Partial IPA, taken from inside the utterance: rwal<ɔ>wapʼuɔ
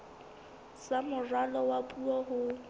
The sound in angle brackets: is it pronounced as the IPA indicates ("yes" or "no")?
yes